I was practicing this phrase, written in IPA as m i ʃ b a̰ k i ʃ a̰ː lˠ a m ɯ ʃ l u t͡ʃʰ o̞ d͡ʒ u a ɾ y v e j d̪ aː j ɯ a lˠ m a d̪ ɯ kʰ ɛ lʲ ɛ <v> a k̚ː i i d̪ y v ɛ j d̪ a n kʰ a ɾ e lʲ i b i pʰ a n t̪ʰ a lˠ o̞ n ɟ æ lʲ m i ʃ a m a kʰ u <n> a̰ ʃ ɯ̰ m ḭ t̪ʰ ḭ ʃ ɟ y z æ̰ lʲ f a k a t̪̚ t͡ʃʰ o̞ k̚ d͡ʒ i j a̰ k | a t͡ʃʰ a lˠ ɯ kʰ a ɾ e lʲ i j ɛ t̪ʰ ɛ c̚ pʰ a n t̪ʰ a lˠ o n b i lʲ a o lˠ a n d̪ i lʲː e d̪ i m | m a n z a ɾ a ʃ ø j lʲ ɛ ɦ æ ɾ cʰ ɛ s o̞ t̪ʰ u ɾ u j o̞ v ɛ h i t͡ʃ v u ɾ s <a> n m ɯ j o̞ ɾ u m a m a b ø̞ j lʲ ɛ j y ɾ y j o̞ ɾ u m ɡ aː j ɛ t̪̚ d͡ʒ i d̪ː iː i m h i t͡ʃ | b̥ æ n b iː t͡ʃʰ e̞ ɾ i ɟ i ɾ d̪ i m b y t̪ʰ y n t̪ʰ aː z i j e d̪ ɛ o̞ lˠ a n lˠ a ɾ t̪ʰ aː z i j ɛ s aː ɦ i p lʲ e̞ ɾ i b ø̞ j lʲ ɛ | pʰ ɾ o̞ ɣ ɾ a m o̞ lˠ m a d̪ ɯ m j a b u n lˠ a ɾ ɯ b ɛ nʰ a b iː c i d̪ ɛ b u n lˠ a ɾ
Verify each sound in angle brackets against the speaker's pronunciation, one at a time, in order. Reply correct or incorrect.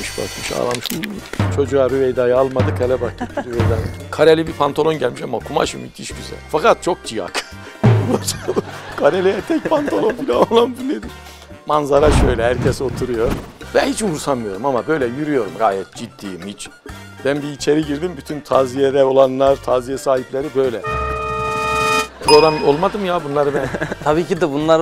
incorrect, incorrect, correct

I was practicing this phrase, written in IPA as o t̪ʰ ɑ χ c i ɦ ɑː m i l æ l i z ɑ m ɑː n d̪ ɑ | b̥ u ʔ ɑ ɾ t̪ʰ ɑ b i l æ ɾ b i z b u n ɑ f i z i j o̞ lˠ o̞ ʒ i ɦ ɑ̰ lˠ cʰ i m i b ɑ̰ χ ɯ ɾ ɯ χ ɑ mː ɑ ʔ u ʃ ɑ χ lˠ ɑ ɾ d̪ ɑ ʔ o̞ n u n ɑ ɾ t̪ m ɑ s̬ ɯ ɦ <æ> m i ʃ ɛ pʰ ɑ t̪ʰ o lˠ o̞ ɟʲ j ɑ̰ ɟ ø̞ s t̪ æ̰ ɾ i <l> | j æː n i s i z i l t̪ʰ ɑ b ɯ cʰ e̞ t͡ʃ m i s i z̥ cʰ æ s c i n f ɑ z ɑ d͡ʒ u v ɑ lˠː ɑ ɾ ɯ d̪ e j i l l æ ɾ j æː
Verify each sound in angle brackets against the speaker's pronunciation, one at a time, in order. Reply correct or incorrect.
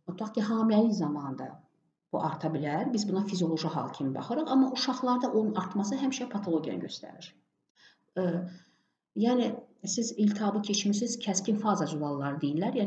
correct, incorrect

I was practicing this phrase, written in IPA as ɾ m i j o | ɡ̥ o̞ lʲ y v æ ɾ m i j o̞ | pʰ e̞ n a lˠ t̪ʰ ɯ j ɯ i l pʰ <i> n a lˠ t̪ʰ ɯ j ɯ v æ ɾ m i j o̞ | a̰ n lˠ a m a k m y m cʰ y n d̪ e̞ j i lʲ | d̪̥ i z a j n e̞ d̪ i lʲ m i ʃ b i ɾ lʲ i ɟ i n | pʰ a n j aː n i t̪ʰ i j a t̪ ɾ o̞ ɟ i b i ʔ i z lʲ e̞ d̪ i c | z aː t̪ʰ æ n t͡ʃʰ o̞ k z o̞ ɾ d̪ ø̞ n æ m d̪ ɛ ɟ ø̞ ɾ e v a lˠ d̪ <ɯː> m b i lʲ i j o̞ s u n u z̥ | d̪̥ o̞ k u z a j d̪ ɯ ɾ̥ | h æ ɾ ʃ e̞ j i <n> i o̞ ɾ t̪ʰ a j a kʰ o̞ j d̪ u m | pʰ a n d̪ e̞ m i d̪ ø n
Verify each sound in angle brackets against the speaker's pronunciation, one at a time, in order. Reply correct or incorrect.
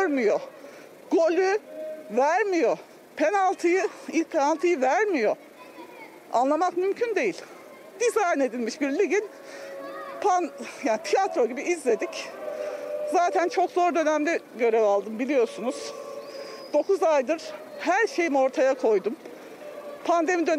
incorrect, incorrect, incorrect

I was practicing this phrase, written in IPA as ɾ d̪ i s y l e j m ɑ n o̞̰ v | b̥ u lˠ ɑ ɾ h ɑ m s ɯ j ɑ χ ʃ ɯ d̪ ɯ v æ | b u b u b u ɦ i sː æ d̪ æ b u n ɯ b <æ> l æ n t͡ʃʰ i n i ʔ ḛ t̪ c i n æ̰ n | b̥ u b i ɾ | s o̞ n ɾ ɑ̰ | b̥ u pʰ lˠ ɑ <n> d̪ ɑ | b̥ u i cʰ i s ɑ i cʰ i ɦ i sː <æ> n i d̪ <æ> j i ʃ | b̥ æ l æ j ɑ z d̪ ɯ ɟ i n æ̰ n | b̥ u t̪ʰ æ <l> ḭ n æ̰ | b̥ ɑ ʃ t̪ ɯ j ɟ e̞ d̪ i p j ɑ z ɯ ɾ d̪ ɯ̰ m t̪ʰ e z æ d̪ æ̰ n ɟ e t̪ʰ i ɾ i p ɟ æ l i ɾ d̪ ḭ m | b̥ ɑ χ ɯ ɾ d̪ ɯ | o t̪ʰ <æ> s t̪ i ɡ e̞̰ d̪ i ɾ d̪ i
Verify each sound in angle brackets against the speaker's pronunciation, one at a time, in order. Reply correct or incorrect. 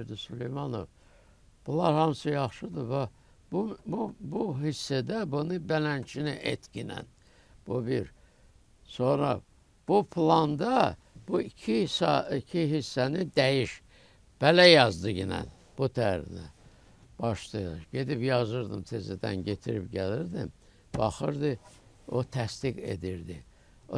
correct, correct, correct, correct, incorrect, correct

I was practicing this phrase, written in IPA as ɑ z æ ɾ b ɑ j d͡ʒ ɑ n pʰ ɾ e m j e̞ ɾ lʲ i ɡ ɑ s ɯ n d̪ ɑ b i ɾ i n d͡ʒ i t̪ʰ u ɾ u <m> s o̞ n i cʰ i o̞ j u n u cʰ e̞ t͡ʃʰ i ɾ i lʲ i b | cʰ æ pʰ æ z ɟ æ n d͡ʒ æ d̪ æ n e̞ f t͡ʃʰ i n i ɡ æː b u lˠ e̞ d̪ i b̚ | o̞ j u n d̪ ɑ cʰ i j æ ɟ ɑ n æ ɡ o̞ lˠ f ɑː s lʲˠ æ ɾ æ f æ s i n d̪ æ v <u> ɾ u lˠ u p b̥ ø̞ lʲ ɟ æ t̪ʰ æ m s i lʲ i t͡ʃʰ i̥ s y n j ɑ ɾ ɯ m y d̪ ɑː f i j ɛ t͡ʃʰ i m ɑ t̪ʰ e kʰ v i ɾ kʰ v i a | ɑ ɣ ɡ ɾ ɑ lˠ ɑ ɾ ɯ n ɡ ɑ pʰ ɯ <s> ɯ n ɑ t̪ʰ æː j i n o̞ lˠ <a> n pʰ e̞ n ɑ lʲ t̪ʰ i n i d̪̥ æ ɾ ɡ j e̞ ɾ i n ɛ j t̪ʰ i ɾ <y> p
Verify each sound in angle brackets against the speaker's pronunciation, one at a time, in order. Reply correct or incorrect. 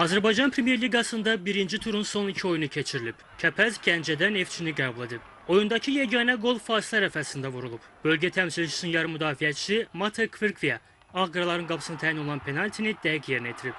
incorrect, correct, correct, incorrect, incorrect

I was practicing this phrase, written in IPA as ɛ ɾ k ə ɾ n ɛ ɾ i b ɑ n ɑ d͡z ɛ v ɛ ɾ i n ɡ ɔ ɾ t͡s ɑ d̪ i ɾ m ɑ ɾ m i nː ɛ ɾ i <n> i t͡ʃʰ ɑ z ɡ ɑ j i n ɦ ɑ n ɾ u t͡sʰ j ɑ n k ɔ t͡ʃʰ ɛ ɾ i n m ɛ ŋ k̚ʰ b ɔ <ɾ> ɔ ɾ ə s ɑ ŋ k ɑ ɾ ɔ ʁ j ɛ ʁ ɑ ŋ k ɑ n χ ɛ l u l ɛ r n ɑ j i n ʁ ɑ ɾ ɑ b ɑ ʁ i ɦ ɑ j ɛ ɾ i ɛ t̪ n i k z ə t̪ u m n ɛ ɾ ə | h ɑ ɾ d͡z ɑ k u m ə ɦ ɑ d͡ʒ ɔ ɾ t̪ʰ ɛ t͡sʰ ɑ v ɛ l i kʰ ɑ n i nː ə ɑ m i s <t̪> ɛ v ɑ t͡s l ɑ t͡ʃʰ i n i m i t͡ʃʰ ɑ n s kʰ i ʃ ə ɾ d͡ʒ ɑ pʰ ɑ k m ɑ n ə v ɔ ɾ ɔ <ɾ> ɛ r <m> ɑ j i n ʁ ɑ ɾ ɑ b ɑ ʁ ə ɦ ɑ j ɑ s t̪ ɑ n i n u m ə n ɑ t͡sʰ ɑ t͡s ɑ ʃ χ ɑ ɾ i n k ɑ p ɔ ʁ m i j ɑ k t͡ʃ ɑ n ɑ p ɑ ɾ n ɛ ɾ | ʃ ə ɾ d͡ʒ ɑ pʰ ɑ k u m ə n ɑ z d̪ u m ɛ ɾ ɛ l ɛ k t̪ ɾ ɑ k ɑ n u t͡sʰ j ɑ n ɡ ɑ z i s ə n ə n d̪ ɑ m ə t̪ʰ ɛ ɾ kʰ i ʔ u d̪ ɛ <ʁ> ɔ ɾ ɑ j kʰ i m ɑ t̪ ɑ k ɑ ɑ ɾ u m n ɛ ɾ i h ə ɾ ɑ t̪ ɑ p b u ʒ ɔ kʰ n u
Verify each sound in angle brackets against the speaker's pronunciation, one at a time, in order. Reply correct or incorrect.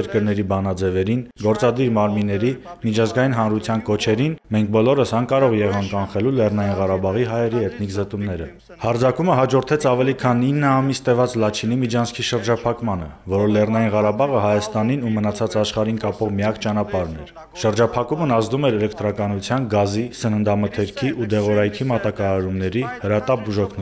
incorrect, incorrect, correct, incorrect, incorrect, correct

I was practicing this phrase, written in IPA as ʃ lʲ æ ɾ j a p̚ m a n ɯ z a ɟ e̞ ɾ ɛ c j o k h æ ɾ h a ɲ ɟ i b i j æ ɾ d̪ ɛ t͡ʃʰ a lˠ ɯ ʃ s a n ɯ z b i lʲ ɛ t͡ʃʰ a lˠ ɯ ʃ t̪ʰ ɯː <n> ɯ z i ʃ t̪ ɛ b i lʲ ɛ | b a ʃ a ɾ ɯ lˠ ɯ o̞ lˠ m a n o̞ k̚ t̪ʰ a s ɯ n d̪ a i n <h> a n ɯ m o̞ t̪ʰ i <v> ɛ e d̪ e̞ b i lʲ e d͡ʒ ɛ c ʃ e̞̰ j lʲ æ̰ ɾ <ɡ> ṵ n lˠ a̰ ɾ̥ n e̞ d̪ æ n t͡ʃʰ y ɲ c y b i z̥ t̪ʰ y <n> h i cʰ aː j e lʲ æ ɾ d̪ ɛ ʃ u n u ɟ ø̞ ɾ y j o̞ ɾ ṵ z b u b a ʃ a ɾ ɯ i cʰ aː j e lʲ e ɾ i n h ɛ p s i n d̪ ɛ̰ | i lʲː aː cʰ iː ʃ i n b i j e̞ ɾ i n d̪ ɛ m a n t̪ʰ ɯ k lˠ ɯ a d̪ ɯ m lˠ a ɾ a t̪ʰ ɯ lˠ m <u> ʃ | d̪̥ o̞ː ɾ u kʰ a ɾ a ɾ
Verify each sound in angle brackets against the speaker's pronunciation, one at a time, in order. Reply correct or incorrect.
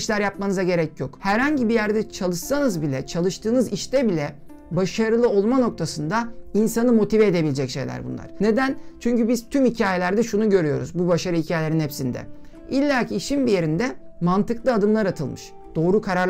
correct, incorrect, correct, incorrect, incorrect, incorrect

